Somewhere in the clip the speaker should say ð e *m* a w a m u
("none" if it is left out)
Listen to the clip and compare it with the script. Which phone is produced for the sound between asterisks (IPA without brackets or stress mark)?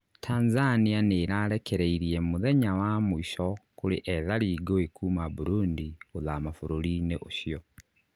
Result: ɲ